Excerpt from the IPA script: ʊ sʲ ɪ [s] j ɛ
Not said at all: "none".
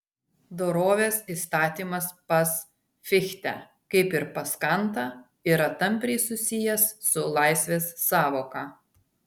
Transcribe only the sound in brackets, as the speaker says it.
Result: none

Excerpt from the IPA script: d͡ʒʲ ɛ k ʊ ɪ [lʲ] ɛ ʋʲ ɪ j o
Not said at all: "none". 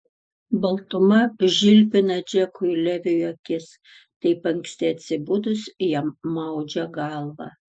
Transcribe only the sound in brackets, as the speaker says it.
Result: lʲ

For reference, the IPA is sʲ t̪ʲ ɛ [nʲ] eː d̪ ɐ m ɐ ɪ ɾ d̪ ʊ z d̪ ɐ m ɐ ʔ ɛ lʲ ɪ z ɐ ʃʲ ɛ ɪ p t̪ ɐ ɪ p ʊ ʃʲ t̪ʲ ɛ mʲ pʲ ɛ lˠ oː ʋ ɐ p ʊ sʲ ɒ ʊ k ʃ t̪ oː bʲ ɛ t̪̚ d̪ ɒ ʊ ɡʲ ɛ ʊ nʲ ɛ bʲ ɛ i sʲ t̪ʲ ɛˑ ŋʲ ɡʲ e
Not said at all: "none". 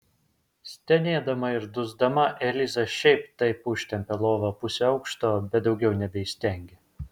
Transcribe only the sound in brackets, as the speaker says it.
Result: nʲ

